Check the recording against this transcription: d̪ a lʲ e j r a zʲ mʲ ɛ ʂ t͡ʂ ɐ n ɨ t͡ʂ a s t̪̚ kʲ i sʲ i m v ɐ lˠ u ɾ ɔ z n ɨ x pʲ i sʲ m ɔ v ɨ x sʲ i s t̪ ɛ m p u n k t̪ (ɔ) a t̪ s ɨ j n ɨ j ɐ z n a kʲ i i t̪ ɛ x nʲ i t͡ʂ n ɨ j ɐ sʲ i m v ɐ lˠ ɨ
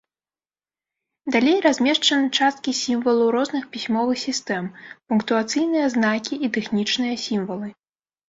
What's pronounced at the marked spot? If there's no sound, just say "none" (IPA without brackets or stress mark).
u